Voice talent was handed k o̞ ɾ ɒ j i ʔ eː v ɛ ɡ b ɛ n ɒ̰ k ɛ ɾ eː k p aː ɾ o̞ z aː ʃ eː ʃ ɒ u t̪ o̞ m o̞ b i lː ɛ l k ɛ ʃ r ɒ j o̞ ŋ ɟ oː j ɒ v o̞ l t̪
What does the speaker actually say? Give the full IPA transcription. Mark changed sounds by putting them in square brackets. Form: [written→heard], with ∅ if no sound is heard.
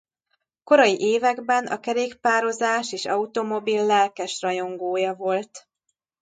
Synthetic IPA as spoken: k o̞ ɾ ɒ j i ʔ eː v ɛ ɡ b ɛ n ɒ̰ k ɛ ɾ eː k p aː ɾ o̞ z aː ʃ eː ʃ ɒ u t̪ o̞ m o̞ b i lː ɛ l k ɛ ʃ r ɒ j o̞ ŋ [ɟ→ɡ] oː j ɒ v o̞ l t̪